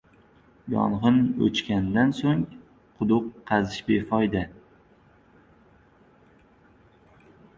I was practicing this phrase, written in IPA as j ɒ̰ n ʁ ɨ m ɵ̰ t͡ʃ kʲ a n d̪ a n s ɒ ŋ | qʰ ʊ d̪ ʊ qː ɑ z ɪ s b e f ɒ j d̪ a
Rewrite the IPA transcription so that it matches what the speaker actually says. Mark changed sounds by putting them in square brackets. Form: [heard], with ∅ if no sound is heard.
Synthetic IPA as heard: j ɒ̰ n ʁ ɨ [n] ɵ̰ t͡ʃ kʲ a n d̪ a n s [o] ŋ | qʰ ʊ d̪ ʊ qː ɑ z ɪ [ʃ] b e f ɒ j d̪ a

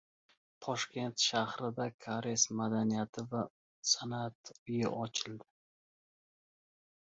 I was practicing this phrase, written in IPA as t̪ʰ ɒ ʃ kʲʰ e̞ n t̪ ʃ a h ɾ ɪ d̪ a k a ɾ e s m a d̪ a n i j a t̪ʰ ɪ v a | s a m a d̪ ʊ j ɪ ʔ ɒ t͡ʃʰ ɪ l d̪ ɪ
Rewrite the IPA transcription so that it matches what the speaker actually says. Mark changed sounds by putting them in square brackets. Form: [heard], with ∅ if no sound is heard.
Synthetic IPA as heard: t̪ʰ ɒ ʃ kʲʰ e̞ n t̪ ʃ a h ɾ ɪ d̪ a [kʰ] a ɾ e s m a d̪ a n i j a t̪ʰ ɪ v a | s a [n] a [t̪] ʊ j ɪ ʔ ɒ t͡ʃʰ ɪ l d̪ ɪ

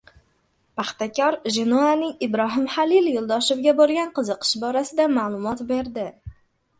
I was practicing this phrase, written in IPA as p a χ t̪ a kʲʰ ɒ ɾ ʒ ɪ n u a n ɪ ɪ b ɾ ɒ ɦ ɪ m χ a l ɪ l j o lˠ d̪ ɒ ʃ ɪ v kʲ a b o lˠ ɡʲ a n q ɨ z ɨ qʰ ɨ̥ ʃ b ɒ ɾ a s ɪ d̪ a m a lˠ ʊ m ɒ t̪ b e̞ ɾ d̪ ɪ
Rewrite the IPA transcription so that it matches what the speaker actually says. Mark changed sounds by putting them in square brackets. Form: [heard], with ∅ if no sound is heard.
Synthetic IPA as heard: p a χ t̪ a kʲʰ ɒ ɾ ʒ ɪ n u a n ɪ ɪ b ɾ ɒ ɦ ɪ m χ a l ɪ l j o lˠ d̪ ɒ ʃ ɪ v [ɡʲ] a b o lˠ ɡʲ a n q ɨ z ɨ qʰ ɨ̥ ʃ b ɒ ɾ a s ɪ d̪ a m a lˠ ʊ m ɒ t̪ b e̞ ɾ d̪ ɪ

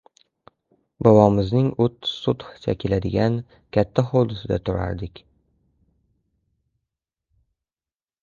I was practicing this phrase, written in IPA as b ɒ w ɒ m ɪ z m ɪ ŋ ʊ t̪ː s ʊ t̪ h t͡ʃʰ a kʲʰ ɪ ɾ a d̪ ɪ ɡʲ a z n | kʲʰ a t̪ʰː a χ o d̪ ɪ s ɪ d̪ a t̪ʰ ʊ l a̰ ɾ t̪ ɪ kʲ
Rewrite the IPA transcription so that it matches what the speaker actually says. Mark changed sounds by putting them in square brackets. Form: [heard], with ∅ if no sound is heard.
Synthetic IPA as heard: b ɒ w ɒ m ɪ z [n] ɪ ŋ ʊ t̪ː s ʊ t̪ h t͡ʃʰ a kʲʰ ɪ [l] a d̪ ɪ ɡʲ a [∅] n | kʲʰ a t̪ʰː a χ o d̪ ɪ s ɪ d̪ a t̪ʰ ʊ [ɾ] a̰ ɾ [d̪] ɪ kʲ

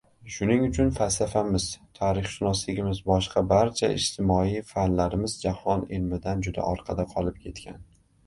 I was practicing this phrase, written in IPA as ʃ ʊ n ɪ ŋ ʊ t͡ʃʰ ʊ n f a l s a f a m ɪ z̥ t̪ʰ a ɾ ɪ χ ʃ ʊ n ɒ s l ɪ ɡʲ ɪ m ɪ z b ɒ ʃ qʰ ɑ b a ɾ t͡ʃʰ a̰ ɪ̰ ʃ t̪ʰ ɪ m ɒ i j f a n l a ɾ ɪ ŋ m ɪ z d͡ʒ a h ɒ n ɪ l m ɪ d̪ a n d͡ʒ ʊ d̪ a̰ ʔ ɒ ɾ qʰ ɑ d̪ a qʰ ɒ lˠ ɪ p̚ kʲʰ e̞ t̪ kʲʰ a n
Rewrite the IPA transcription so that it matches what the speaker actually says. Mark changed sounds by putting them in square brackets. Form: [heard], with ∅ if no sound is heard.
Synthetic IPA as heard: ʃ ʊ n ɪ ŋ ʊ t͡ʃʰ ʊ n f a l s a f a m ɪ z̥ t̪ʰ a ɾ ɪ χ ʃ ʊ n ɒ s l ɪ ɡʲ ɪ m ɪ z b ɒ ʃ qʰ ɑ b a ɾ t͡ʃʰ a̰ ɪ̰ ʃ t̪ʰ ɪ m ɒ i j f a n l a ɾ ɪ [∅] m ɪ z d͡ʒ a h ɒ n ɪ l m ɪ d̪ a n d͡ʒ ʊ d̪ a̰ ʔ ɒ ɾ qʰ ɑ d̪ a qʰ ɒ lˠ ɪ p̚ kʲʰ e̞ t̪ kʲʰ a n

